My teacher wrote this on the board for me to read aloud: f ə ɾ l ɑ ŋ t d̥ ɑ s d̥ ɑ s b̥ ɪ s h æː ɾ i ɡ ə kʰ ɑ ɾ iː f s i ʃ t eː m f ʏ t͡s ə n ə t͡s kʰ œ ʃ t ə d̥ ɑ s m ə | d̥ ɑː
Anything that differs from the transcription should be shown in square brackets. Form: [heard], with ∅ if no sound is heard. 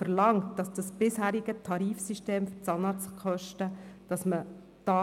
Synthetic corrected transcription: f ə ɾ l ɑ ŋ t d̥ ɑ s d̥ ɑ s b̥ ɪ s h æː ɾ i ɡ ə [tʰ] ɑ ɾ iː f s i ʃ t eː m f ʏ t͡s [ɑ] n [ɑ] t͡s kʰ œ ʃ t ə d̥ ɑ s m ə | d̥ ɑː